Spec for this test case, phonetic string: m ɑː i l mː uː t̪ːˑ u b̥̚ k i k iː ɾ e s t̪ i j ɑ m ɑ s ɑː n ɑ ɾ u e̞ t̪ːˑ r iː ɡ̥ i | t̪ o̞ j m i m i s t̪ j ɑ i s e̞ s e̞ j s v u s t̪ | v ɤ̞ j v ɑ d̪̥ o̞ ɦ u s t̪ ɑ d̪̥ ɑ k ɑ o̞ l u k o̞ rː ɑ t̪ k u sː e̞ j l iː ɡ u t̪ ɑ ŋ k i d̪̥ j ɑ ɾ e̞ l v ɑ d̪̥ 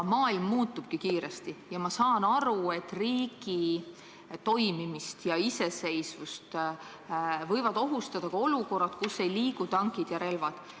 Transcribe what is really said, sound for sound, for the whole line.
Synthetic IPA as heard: m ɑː i l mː uː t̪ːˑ u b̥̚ k i k iː ɾ e s t̪ i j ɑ m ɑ s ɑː n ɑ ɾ u e̞ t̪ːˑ r iː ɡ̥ i | t̪ o̞ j m i m i s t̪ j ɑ i s e̞ s e̞ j s v u s t̪ | v ɤ̞ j v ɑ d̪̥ o̞ ɦ u s t̪ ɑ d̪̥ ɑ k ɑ o̞ l u k o̞ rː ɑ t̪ k u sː e̞ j l iː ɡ u t̪ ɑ ŋ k i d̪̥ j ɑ ɾ e̞ l v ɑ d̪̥